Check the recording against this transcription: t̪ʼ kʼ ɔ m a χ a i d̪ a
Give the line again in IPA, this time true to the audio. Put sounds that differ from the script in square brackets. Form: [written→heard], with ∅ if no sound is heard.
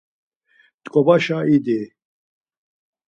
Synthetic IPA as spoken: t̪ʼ kʼ ɔ [m→b] a [χ→ʃ] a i d̪ [a→i]

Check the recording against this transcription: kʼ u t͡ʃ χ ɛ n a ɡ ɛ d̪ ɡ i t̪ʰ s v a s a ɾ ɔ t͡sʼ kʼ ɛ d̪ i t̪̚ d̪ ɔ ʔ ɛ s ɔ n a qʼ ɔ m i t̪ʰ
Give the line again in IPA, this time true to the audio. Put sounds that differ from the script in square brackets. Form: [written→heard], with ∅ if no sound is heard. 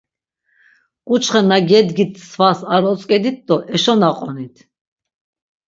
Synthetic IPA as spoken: kʼ u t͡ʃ χ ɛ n a ɡ ɛ d̪ ɡ i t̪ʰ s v a s a ɾ ɔ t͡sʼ kʼ ɛ d̪ i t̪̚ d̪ ɔ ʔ ɛ [s→ʃ] ɔ n a qʼ ɔ [m→n] i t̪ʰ

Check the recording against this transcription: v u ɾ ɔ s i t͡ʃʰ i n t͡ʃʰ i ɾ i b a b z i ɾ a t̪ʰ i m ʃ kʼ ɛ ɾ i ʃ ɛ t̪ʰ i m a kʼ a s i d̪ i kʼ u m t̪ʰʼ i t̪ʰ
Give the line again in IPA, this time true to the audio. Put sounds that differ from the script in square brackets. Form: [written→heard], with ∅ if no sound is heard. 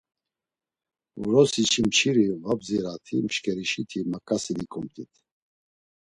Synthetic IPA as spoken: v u ɾ ɔ s i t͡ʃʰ i [n→m] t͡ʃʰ i ɾ i [b→v] a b z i ɾ a t̪ʰ i m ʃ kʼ ɛ ɾ i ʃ [ɛ→i] t̪ʰ i m a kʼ a s i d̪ i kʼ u m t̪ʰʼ i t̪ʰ

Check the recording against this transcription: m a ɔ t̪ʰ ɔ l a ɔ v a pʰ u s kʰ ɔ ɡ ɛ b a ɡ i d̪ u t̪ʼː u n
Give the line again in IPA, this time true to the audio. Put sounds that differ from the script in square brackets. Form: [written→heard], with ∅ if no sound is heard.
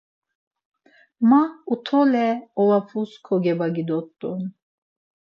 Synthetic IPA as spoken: m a [ɔ→u] t̪ʰ ɔ l [a→ɛ] ɔ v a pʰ u s kʰ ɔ ɡ ɛ b a ɡ i d̪ [u→ɔ] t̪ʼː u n

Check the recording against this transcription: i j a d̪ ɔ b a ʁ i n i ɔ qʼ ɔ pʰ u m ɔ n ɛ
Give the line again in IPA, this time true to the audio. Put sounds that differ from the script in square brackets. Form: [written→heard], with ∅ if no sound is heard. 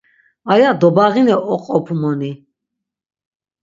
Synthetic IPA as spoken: [i→a] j a d̪ ɔ b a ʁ i n [i→ɛ] ɔ qʼ ɔ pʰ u m ɔ n [ɛ→i]

